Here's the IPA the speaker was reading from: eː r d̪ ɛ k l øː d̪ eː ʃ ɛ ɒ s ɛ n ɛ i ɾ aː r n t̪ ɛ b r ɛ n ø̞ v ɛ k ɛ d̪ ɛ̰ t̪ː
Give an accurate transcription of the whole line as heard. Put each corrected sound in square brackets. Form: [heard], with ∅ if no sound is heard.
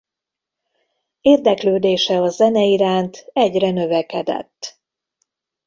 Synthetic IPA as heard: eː r d̪ ɛ k l øː d̪ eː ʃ ɛ ɒ [z] ɛ n ɛ i ɾ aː [∅] n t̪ ɛ [ɟ] r ɛ n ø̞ v ɛ k ɛ d̪ ɛ̰ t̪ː